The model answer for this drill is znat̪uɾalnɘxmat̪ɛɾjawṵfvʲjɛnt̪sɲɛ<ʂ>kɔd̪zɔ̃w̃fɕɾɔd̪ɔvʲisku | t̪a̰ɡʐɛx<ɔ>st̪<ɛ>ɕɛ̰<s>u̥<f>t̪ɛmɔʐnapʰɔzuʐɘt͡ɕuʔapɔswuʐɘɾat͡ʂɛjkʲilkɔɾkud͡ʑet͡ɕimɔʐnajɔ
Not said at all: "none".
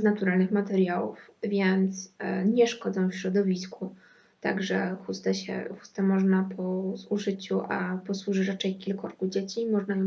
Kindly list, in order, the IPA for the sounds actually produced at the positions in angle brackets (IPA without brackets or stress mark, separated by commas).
ʂ, u, ɛ, x, s